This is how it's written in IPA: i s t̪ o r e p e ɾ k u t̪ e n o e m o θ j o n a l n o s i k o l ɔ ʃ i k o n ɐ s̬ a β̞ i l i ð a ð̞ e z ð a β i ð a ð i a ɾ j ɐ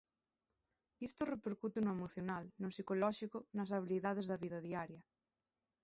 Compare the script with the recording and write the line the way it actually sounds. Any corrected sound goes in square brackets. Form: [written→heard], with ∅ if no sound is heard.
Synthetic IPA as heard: i s t̪ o r e p e ɾ k u t̪ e n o e m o θ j o n a l n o s i k o l ɔ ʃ i k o n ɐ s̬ a β̞ i l i ð a ð̞ e z ð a β i ð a ð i a ɾ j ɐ